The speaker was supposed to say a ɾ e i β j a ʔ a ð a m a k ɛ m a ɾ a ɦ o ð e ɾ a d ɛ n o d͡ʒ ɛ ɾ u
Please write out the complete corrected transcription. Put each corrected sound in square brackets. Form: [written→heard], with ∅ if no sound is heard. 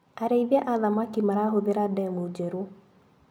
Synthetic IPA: a ɾ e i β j a ʔ a ð a m a k [ɛ→i] m a ɾ a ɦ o ð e ɾ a d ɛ [n→m] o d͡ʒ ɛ ɾ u